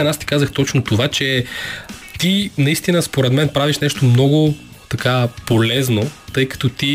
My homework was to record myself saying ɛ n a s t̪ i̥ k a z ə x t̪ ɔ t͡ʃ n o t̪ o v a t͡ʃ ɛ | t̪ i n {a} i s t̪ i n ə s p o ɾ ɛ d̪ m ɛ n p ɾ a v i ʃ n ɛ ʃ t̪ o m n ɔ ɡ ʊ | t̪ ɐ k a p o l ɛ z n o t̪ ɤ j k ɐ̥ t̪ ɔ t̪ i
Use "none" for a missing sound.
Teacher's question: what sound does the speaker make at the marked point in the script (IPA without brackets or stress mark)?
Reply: ɐ